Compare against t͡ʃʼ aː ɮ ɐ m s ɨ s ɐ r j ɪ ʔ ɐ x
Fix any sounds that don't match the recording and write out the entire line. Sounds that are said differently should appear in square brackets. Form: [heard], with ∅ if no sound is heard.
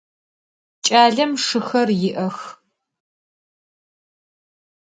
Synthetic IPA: t͡ʃʼ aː ɮ ɐ m [ʂ] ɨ [x] ɐ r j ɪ ʔ ɐ x